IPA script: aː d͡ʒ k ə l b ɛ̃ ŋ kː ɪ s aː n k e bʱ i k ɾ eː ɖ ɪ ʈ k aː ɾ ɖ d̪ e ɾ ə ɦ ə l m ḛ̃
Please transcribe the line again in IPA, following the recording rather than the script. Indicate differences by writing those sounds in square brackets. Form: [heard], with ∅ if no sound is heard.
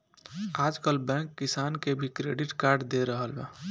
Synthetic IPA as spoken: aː d͡ʒ k ə l b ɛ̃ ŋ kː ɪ s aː n k e bʱ i k ɾ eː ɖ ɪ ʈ k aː ɾ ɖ d̪ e ɾ ə ɦ ə l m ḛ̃